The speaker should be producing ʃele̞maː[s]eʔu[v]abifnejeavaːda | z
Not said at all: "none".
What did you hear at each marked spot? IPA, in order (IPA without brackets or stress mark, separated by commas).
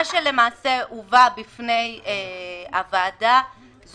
s, v